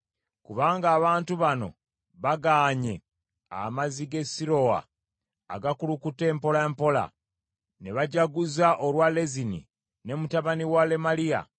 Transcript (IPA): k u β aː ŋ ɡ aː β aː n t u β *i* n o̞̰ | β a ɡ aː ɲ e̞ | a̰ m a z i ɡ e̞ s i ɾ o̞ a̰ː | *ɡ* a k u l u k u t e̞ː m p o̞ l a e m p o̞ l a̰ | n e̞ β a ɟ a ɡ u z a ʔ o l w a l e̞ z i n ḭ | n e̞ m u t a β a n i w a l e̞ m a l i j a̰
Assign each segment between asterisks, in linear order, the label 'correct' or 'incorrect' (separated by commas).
incorrect, correct